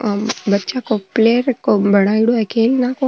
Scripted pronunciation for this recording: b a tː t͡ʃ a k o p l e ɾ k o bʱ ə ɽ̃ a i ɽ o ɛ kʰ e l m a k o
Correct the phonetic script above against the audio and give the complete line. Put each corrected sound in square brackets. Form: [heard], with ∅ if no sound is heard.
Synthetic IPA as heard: b [ə] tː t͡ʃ a k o p l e ɾ k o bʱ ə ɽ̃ a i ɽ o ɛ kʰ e l [n] a k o